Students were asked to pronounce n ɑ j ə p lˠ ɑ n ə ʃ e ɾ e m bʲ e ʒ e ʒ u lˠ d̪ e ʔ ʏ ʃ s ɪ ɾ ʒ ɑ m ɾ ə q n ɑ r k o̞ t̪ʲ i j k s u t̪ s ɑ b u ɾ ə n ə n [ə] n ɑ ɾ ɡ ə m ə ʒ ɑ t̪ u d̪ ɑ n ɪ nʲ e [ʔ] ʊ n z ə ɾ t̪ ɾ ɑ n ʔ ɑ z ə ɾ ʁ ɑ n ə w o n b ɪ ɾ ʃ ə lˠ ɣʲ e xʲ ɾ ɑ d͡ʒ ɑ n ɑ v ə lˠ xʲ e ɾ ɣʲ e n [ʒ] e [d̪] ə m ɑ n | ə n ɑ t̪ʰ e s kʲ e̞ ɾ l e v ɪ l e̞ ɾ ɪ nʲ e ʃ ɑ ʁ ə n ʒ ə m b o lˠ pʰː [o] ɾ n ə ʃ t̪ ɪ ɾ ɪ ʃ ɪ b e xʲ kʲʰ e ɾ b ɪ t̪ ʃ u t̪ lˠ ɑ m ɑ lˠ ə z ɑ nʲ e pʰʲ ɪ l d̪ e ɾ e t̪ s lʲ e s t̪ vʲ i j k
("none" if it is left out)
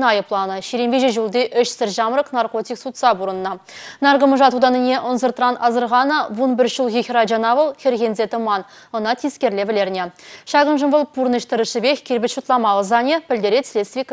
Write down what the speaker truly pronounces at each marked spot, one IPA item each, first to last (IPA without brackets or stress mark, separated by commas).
ɑ, ʔ, z, t̪, u